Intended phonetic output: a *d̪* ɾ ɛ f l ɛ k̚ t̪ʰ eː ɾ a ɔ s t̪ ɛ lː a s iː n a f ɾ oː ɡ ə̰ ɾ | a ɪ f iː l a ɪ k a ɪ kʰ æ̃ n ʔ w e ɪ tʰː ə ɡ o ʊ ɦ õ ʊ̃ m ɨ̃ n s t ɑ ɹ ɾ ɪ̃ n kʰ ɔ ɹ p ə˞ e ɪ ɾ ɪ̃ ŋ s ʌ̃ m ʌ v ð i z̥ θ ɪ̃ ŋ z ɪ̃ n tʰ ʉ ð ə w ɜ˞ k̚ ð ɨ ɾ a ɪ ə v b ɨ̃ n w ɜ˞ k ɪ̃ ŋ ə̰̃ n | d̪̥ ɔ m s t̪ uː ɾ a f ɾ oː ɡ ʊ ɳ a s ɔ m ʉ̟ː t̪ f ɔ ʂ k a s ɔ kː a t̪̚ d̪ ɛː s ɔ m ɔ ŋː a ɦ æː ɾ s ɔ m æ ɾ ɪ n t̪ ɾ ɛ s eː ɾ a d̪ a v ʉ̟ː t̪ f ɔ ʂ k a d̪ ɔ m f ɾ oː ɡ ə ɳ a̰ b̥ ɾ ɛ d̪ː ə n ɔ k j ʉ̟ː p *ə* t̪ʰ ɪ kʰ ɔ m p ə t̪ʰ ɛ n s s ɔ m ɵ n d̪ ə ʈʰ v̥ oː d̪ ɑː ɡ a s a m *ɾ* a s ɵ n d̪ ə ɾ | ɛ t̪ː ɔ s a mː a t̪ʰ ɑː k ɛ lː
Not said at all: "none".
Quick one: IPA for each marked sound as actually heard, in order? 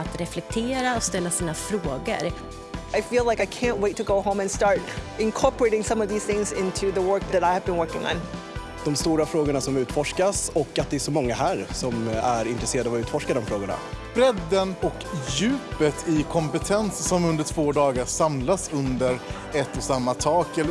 t̪, ə, l

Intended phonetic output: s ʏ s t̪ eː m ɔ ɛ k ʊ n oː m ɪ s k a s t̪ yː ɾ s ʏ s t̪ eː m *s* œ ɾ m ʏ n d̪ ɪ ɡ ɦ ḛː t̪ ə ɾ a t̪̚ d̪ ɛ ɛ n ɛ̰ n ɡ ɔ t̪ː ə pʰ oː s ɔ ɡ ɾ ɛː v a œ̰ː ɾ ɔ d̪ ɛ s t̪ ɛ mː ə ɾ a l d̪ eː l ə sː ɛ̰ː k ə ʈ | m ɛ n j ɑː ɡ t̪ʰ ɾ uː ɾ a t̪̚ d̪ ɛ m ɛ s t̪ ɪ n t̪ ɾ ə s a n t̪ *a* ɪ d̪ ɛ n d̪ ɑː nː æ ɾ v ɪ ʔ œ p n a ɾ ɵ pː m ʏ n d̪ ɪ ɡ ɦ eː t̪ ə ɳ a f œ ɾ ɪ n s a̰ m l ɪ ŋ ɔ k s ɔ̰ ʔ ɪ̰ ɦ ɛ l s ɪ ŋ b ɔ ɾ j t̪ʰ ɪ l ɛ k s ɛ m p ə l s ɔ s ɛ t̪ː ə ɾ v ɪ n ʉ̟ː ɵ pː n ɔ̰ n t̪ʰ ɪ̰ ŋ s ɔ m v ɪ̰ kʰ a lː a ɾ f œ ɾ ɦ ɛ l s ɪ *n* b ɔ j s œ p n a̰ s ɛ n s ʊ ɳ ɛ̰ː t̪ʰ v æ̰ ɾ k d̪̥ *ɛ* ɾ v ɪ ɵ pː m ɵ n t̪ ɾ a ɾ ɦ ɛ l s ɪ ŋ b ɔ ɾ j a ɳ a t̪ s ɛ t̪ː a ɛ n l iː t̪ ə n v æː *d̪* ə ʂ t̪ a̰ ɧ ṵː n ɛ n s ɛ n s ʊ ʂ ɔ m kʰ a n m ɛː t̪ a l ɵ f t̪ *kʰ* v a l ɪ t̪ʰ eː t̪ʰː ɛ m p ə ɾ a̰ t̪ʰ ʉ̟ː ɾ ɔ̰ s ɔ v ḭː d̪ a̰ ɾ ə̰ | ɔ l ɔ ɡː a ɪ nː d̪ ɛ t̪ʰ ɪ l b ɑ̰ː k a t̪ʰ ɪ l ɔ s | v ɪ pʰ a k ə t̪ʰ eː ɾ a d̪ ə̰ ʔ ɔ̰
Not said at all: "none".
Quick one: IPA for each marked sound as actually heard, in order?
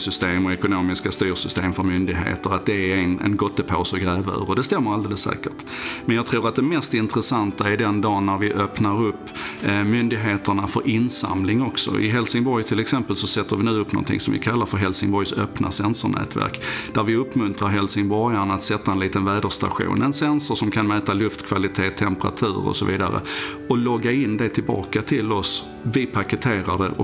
f, a, ŋ, æ, d̪, kʰ

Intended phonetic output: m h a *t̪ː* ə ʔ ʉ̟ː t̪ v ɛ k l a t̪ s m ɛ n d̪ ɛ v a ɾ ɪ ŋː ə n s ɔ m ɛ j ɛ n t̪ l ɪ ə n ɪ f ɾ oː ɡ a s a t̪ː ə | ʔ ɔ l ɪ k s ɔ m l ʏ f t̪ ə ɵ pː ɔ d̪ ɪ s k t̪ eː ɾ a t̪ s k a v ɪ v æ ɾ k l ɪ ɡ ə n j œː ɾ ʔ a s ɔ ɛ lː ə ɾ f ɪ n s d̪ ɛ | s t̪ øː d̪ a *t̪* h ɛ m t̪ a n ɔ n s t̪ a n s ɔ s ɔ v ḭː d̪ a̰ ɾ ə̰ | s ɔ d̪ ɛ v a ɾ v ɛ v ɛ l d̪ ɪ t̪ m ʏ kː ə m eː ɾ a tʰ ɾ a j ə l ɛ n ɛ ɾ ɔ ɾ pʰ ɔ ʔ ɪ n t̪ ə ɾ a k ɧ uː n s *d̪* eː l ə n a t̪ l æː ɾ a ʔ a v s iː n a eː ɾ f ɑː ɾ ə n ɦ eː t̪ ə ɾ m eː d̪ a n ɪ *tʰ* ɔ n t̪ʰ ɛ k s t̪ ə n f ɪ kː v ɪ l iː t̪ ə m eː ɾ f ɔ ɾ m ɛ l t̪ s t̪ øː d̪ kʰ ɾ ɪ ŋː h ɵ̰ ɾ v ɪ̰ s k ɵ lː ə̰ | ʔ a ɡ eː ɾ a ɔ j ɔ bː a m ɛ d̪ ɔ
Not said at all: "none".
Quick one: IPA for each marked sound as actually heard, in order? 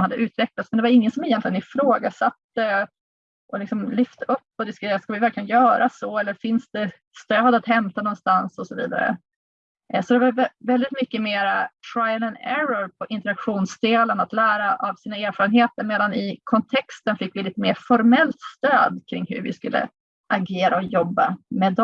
d̪ː, t̪, d̪, kʰ

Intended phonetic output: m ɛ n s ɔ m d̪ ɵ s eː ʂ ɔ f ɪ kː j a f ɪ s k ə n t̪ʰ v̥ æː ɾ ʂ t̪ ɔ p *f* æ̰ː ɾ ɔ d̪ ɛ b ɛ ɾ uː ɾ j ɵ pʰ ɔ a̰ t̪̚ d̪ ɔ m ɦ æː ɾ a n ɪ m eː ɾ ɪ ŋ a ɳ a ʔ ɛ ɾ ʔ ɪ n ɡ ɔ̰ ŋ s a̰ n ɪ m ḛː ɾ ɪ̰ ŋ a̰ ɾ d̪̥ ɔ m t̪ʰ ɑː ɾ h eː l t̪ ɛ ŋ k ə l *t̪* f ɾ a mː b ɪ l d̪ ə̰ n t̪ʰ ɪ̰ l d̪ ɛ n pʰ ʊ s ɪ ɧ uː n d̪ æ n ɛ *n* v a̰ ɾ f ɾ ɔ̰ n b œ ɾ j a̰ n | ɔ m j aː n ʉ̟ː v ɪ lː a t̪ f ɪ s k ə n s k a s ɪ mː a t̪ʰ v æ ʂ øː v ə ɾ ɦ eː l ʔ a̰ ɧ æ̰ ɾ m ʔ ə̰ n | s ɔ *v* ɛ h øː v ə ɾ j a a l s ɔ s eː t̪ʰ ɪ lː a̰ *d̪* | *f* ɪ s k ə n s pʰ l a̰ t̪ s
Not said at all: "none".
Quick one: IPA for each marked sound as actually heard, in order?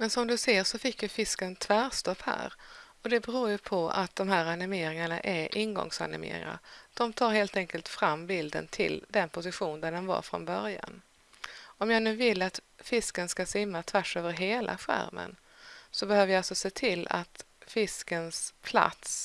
h, t̪, n, b, t̪, f

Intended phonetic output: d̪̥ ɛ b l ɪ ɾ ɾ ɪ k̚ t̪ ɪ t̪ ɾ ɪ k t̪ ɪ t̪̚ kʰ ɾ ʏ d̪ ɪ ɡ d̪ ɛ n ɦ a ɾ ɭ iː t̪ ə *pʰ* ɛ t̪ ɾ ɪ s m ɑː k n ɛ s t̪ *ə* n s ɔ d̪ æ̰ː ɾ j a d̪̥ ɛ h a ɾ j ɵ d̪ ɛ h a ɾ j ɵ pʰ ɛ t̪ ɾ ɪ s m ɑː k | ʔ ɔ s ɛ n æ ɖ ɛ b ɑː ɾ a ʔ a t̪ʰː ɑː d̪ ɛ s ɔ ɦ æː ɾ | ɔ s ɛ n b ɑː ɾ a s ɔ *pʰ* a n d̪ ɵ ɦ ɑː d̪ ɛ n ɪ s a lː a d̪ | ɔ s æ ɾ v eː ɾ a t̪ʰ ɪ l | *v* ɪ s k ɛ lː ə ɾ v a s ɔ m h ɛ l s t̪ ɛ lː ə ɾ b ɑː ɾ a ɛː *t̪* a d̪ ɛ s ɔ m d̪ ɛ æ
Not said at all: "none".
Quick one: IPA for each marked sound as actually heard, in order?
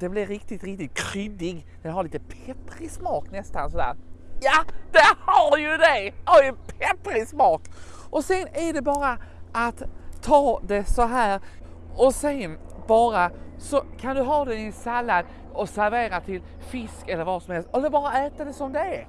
pʰ, a, kʰ, f, t̪

